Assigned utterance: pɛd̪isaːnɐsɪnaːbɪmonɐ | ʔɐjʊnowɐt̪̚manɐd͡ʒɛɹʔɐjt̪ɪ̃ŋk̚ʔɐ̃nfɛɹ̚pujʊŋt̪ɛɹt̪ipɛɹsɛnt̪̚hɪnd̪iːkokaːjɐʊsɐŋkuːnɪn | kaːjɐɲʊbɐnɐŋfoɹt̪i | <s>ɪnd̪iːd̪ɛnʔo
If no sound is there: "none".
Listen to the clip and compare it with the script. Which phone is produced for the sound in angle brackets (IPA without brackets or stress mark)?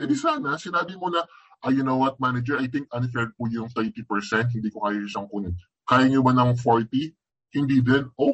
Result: h